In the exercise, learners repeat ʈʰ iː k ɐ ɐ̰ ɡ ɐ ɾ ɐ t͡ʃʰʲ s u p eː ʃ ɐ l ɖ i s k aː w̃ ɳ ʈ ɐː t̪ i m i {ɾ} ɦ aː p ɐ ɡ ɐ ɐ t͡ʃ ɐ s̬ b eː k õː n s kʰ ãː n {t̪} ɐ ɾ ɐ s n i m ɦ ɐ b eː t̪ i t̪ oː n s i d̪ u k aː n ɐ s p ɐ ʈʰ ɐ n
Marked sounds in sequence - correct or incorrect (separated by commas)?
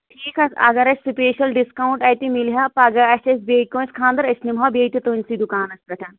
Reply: incorrect, incorrect